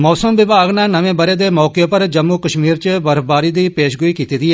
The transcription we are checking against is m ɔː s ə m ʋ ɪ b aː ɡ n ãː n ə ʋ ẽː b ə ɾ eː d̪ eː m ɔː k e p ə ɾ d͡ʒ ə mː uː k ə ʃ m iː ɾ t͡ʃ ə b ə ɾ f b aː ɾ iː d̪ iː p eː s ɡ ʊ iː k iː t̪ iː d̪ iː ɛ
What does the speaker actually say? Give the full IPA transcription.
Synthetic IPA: m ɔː s ə m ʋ ɪ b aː ɡ n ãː n ə ʋ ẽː b ə ɾ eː d̪ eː m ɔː k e p ə ɾ d͡ʒ ə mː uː k ə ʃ m iː ɾ t͡ʃ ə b ə ɾ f b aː ɾ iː d̪ iː p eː ʃ ɡ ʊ iː k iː t̪ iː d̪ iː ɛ